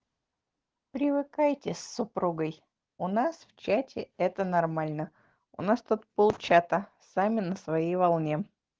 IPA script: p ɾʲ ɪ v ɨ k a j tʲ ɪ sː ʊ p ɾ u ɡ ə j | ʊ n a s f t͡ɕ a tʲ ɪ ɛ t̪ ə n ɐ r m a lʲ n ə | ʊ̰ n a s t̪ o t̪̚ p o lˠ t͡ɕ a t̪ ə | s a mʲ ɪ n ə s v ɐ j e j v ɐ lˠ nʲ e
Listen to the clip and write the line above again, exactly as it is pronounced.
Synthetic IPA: p ɾʲ ɪ v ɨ k a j tʲ ɪ sː ʊ p ɾ u ɡ ə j | ʊ n a s f t͡ɕ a tʲ ɪ ɛ t̪ ə n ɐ r m a lʲ n ə | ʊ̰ n a s t̪ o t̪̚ p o lˠ t͡ɕ a t̪ ə | s a mʲ ɪ n ə s v ɐ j e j v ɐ lˠ nʲ e